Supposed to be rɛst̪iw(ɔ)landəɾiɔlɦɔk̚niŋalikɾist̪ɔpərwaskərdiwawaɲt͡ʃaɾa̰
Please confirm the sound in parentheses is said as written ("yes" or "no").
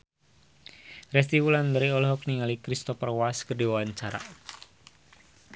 no